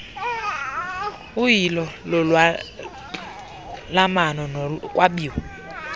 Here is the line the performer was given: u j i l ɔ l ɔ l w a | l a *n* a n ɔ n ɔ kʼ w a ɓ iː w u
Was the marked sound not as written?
yes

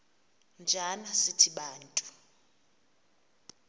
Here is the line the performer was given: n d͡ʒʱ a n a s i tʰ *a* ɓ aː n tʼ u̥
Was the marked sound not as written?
yes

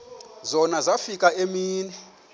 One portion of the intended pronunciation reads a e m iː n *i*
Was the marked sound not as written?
yes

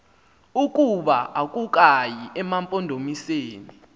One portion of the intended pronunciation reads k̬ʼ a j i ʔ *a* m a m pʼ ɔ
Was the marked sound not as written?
yes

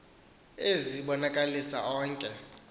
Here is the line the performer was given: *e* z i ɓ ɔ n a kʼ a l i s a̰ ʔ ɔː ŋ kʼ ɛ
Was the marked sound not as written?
no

